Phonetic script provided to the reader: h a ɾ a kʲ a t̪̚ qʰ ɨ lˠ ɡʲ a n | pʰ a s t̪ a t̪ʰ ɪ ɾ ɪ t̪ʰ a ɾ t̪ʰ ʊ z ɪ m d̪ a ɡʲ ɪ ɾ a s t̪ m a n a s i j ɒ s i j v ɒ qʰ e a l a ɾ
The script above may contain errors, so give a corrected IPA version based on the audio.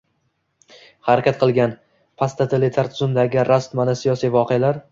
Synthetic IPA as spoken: h a ɾ a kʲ a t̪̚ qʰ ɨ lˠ ɡʲ a n | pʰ a s t̪ a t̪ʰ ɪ l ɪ t̪ʰ a ɾ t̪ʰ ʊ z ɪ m d̪ a ɡʲ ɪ ɾ a s t̪ m a n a s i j ɒ s i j v ɒ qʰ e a l a ɾ